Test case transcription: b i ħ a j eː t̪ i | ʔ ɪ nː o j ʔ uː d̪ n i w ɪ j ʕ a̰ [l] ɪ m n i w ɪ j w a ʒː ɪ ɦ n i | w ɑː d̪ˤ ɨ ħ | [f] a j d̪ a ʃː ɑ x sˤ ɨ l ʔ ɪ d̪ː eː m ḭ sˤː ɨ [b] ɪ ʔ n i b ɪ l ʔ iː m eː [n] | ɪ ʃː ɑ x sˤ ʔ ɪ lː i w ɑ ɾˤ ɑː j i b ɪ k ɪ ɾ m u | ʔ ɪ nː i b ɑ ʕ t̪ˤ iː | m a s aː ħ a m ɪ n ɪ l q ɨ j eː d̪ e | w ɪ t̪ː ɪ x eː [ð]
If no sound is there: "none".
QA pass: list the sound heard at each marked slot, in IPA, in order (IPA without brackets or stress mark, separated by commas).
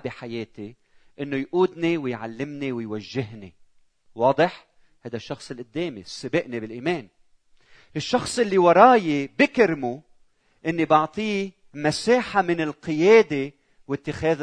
lː, h, b, n, ð